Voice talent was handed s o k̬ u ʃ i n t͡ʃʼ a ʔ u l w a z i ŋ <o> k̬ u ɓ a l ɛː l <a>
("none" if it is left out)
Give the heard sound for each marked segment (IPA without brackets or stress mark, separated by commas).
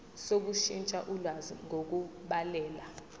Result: o, a